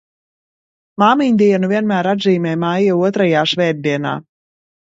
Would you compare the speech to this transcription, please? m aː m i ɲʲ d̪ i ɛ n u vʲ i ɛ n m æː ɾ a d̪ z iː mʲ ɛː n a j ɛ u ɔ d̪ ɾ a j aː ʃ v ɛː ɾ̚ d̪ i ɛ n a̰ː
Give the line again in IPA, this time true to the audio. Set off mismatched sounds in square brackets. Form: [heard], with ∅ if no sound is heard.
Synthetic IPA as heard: m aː m i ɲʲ d̪ i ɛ n u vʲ i ɛ n m æː ɾ a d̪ z iː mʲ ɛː [m] a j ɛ u ɔ [t̪] ɾ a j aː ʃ v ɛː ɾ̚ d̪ i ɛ n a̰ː